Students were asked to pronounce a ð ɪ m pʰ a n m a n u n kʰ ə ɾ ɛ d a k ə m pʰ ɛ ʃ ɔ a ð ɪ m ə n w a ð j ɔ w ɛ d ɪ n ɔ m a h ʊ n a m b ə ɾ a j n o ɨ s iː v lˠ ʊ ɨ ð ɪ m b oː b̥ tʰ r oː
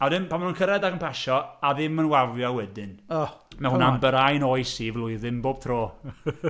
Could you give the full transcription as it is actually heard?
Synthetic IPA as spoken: a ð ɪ m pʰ a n m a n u n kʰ ə ɾ ɛ d a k ə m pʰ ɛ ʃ ɔ a ð ɪ m ə n w a v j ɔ w ɛ d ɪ n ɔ m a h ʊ n a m b ə ɾ a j n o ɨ s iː v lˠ ʊ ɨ ð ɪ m b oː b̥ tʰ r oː